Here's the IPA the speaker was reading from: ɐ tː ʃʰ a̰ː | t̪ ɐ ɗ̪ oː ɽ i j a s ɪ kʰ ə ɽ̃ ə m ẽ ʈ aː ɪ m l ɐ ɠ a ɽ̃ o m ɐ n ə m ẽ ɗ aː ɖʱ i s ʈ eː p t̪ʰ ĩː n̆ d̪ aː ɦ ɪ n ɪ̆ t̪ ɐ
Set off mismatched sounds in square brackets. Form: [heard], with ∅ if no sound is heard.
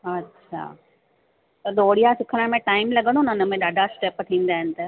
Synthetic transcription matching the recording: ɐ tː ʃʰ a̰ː | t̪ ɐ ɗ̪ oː ɽ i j a s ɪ kʰ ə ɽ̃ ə m ẽ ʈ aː ɪ m l ɐ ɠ [ə] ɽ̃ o [n] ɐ n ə m ẽ ɗ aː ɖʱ [a] s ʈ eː p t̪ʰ ĩː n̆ d̪ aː ɦ ɪ n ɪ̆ t̪ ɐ

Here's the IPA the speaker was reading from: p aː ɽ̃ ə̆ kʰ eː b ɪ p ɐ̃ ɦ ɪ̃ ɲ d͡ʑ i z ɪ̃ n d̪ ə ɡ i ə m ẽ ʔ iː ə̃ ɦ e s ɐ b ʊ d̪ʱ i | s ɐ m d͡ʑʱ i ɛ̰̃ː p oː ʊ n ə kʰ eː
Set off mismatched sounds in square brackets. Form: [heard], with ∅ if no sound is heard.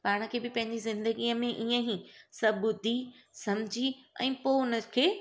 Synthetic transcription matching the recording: p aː ɽ̃ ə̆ kʰ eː b ɪ p ɐ̃ ɦ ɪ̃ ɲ d͡ʑ i z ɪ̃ n d̪ ə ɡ i ə m ẽ ʔ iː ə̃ ɦ [i] s ɐ b ʊ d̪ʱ i | s ɐ m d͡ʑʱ i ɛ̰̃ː p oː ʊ n ə kʰ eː

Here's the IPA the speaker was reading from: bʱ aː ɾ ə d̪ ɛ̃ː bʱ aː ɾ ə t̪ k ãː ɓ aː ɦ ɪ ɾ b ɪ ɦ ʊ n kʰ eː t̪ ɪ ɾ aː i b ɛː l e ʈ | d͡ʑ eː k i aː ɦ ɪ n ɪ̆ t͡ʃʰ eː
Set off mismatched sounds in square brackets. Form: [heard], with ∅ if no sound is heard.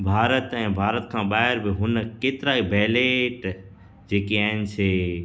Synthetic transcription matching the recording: bʱ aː ɾ ə [t̪] ɛ̃ː bʱ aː ɾ ə t̪ [kʰ] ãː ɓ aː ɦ ɪ ɾ b ɪ ɦ ʊ n [k] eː t̪ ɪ ɾ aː i b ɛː l e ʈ | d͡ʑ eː k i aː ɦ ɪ n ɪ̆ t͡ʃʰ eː

